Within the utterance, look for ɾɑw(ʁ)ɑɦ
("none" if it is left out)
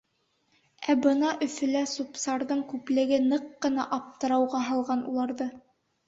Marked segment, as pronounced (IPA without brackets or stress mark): ʁ